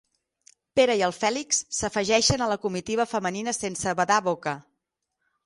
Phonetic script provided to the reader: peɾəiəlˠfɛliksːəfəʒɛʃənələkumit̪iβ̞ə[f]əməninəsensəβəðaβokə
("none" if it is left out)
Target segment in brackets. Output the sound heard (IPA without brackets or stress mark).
f